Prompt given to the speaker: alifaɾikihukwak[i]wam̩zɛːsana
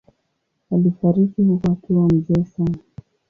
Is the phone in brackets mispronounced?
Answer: no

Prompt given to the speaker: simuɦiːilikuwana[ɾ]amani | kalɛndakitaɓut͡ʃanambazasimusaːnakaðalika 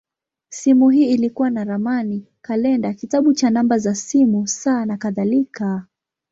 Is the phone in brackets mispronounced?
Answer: no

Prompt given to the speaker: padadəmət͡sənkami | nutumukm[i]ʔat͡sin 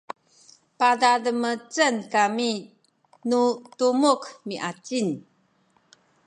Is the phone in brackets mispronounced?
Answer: no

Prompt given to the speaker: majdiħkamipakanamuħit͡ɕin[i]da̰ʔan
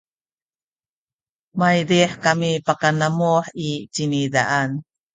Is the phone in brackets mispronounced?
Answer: no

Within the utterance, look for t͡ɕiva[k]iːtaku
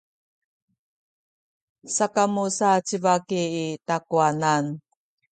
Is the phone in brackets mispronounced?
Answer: no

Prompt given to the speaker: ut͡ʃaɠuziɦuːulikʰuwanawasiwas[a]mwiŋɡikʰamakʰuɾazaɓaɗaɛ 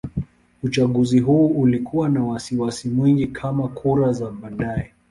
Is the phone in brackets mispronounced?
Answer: yes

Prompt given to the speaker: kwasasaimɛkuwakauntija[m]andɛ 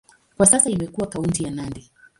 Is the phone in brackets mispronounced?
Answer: yes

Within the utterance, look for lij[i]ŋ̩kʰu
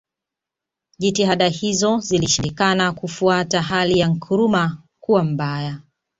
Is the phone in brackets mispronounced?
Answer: yes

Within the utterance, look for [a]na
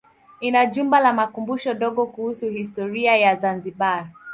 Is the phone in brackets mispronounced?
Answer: yes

